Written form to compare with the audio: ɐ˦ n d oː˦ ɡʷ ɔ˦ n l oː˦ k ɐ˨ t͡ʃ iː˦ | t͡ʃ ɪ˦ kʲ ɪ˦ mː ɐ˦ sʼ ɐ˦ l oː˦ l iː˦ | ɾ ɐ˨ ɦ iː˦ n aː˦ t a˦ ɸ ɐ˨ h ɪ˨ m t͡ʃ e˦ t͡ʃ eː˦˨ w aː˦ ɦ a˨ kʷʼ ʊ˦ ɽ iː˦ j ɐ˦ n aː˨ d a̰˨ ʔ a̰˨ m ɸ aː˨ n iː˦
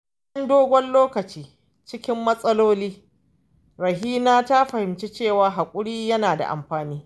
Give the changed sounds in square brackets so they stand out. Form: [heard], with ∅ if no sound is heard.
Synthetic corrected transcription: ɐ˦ n d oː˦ ɡʷ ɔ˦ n l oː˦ k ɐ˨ t͡ʃ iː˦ | t͡ʃ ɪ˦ kʲ ɪ˦ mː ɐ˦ sʼ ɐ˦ l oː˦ l iː˦ | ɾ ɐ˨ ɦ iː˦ n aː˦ t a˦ ɸ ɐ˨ h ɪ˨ m t͡ʃ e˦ t͡ʃ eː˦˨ w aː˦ ɦ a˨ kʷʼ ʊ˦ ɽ iː˦ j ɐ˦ n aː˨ d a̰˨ ʔ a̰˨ m ɸ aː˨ n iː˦

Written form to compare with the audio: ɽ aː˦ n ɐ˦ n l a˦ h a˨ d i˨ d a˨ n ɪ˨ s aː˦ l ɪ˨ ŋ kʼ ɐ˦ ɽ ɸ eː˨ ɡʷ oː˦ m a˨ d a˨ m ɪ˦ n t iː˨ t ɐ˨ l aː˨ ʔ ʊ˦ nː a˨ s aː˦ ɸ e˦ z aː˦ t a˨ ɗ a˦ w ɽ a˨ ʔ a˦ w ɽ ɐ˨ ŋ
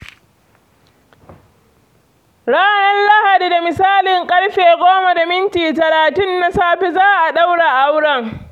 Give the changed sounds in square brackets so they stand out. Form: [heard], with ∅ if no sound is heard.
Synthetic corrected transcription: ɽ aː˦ n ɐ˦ n l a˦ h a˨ d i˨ d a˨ [m] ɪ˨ s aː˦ l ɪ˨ ŋ kʼ ɐ˦ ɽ ɸ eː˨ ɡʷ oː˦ m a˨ d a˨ m ɪ˦ n t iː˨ t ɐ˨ l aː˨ [t] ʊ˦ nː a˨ s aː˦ ɸ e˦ z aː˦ [ʔ] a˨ ɗ a˦ w ɽ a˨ ʔ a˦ w ɽ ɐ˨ ŋ

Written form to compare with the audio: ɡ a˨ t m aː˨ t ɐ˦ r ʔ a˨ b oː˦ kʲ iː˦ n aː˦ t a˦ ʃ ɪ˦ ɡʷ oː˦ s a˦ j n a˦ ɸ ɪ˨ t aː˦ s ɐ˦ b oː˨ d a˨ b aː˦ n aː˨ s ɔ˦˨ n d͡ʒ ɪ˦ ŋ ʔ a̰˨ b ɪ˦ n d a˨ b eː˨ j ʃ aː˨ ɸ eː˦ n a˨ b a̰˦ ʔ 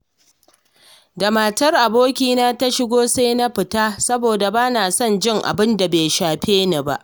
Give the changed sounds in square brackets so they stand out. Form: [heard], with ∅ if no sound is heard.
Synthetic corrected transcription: [d] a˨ [∅] m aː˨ t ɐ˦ r ʔ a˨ b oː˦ kʲ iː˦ n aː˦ t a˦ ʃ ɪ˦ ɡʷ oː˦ s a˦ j n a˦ ɸ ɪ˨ t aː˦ s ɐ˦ b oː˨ d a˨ b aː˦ n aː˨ s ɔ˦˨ n d͡ʒ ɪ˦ ŋ ʔ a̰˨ b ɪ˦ n d a˨ b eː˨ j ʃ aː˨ ɸ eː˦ n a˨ b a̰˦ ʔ

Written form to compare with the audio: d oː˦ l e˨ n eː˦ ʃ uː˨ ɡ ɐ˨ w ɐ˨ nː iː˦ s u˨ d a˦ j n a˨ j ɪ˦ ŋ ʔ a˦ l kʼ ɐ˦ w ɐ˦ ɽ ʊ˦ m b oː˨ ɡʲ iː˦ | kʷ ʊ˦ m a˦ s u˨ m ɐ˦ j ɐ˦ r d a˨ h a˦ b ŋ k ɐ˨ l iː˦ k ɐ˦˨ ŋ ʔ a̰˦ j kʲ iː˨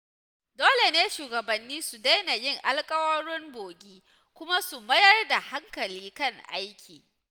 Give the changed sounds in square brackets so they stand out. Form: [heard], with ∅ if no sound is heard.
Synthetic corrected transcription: d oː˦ l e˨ n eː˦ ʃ uː˨ ɡ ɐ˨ [b] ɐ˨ nː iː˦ s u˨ d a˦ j n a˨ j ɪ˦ ŋ ʔ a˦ l kʼ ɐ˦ w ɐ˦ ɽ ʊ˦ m b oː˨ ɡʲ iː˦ | kʷ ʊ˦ m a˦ s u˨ m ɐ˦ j ɐ˦ r d a˨ h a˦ [∅] ŋ k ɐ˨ l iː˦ k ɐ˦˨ ŋ ʔ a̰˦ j kʲ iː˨

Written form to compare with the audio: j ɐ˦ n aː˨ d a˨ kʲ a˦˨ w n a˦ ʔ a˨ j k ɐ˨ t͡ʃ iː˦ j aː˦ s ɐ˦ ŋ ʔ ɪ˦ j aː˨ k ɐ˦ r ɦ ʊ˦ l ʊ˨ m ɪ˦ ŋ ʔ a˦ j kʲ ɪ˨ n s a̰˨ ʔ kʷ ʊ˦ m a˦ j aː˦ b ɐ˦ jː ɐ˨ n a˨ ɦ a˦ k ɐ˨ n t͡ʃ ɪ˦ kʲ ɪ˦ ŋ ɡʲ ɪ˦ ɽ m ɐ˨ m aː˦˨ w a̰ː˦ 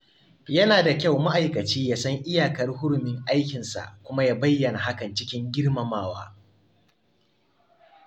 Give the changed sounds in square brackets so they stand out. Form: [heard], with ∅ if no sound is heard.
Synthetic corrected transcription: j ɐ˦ n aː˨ d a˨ kʲ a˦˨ w [m] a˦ ʔ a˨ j k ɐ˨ t͡ʃ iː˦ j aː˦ s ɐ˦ ŋ ʔ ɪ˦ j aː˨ k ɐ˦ r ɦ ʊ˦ [ɽ] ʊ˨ m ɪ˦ ŋ ʔ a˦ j kʲ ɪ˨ n s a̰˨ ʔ kʷ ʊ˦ m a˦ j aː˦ b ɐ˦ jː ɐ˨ n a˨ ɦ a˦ k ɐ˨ n t͡ʃ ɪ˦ kʲ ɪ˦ ŋ ɡʲ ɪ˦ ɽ m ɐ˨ m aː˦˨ w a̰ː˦

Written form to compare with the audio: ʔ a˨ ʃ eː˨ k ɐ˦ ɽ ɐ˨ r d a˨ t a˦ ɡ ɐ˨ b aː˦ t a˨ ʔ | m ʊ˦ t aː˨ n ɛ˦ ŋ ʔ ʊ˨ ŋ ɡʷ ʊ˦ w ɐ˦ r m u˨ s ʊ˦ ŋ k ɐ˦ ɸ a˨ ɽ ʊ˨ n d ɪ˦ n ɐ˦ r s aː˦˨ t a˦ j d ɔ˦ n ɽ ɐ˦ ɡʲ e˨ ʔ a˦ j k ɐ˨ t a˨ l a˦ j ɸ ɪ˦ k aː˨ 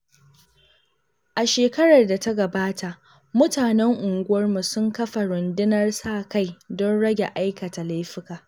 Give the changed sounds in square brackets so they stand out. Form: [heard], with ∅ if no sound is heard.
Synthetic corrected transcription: ʔ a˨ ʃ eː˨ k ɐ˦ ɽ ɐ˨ r d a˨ t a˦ ɡ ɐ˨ b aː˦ t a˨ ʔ | m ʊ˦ t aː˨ n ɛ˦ ŋ ʔ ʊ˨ ŋ ɡʷ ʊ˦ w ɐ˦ r m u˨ s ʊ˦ ŋ k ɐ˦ ɸ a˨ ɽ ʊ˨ n d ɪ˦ n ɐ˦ r s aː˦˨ [k] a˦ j d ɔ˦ n ɽ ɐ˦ ɡʲ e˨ ʔ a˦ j k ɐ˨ t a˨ l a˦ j ɸ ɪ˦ k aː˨

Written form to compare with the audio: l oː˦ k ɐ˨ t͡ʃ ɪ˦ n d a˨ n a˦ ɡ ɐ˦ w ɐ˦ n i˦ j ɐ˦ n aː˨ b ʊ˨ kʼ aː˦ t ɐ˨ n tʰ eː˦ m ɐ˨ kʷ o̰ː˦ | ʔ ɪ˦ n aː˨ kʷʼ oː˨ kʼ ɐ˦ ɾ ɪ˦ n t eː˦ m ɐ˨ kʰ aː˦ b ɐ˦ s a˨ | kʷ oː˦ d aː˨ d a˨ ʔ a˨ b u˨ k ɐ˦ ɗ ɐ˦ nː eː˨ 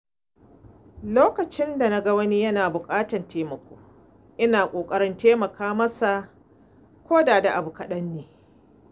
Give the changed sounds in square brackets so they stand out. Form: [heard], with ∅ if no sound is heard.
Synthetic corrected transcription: l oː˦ k ɐ˨ t͡ʃ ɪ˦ n d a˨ n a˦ ɡ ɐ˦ w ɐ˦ n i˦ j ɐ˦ n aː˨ b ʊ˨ kʼ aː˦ t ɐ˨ n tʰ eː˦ m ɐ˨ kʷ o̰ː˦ | ʔ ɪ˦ n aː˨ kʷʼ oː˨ kʼ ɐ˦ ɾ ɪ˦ n t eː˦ m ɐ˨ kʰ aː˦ [m] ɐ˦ s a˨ | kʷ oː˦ d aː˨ d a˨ ʔ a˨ b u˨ k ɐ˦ ɗ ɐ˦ nː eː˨

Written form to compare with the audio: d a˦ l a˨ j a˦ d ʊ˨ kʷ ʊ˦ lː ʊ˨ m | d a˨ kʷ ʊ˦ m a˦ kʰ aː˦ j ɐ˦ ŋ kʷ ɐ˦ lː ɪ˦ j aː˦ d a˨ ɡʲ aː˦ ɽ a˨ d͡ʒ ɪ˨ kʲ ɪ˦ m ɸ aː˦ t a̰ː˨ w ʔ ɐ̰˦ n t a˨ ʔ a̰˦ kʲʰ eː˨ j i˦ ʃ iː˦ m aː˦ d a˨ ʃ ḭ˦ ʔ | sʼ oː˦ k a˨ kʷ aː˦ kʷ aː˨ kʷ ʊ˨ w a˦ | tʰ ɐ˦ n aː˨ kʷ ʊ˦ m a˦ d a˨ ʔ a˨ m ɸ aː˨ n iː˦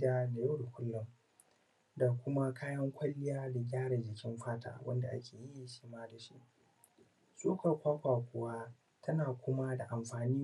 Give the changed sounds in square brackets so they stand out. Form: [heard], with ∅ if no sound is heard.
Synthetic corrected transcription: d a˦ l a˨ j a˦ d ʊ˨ kʷ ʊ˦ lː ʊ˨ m | d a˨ kʷ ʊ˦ m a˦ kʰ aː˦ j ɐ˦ ŋ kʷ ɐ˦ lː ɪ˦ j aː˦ d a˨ ɡʲ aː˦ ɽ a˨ d͡ʒ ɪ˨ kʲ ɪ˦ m ɸ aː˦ t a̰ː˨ w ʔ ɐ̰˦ n [d] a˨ ʔ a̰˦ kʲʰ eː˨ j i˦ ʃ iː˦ m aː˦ d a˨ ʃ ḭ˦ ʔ | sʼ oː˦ k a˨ kʷ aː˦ kʷ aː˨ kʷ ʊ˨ w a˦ | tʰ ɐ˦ n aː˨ kʷ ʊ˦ m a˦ d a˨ ʔ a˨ m ɸ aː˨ n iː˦

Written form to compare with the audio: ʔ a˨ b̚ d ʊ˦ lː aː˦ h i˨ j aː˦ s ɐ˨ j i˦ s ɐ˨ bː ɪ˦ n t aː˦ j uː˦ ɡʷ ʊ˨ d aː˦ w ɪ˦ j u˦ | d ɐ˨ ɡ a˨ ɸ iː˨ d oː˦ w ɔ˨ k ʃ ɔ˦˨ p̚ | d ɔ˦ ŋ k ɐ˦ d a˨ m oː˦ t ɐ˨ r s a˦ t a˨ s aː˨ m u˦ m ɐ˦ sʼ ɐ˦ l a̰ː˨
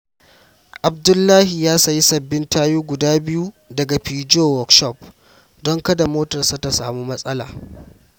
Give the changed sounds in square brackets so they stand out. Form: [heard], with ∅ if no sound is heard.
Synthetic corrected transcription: ʔ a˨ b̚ d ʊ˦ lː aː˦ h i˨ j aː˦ s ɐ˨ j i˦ s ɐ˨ bː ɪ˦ n t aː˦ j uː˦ ɡʷ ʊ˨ d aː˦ [b] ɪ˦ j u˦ | d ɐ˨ ɡ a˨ ɸ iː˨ [d͡ʒ] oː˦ w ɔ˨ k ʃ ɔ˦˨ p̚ | d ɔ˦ ŋ k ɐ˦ d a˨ m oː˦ t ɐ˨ r s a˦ t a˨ s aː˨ m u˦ m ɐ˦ sʼ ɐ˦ l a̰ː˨

